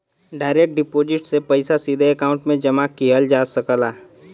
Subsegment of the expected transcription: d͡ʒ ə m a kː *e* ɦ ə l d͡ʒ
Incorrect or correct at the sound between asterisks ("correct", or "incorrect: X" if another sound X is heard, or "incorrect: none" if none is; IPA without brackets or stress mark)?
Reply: incorrect: i